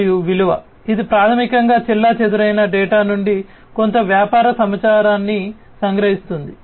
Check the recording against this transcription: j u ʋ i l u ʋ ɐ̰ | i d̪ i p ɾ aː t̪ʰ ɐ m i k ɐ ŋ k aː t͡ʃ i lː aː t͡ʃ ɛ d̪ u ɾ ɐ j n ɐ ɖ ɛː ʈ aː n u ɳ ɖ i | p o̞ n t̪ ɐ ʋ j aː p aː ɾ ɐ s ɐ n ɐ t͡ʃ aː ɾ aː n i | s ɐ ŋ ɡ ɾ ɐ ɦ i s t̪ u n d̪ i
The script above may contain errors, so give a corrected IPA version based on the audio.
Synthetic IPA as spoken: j u ʋ i l u ʋ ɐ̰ | i d̪ i p ɾ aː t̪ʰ ɐ m i k ɐ ŋ ɡ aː t͡ʃ i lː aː t͡ʃ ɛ d̪ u ɾ ɐ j n ɐ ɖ ɛː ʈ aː n u ɳ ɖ i | k o̞ n t̪ ɐ ʋ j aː p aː ɾ ɐ s ɐ m ɐ t͡ʃ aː ɾ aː nː i | s ɐ ŋ ɡ ɾ ɐ ɦ i s t̪ u n d̪ i